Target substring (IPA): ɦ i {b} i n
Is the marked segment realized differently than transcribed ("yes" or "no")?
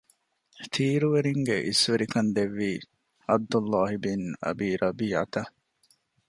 no